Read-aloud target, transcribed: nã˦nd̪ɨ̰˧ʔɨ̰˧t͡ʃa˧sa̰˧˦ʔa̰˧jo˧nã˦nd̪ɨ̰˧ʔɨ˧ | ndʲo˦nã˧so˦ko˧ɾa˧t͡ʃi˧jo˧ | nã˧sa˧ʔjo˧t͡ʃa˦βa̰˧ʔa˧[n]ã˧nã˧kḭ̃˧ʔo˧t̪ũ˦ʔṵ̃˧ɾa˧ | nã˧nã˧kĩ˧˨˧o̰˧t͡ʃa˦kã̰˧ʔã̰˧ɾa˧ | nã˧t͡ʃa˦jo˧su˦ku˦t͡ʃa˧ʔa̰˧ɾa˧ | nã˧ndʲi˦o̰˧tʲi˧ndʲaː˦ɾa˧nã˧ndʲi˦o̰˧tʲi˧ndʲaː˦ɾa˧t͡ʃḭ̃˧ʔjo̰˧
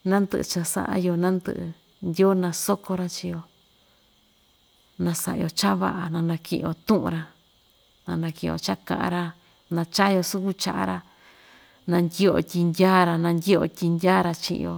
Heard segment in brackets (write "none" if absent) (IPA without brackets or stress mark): n